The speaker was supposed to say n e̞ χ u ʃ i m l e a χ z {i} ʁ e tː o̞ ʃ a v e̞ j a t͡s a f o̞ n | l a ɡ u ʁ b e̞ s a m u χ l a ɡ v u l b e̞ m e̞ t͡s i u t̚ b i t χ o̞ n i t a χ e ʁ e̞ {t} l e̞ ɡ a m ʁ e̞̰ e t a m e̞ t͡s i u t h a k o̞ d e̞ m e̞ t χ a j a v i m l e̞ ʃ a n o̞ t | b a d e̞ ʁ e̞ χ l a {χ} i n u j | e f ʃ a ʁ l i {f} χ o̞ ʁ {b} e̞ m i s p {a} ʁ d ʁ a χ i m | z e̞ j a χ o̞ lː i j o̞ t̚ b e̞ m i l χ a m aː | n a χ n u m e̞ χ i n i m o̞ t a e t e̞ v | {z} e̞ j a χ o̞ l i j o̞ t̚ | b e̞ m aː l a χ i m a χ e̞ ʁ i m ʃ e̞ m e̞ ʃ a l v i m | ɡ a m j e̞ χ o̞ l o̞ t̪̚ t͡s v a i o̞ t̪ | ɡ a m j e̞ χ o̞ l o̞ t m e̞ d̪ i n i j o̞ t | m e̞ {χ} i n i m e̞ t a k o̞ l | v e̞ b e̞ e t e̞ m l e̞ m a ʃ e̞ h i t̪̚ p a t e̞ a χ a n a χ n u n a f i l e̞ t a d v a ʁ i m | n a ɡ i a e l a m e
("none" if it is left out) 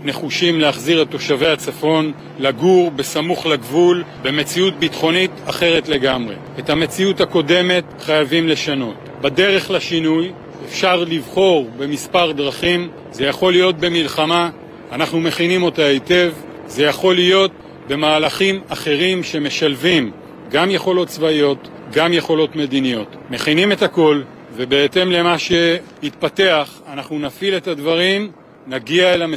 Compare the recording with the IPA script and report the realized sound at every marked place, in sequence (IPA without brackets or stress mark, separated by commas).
i, t, ʃ, v, b, a, z, χ